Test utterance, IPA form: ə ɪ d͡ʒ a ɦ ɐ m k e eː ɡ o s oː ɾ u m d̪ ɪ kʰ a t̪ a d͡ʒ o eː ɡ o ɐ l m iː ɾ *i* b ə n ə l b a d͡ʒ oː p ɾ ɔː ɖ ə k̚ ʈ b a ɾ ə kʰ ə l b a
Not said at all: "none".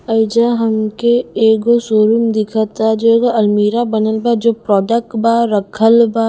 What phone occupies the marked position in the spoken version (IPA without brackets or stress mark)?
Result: a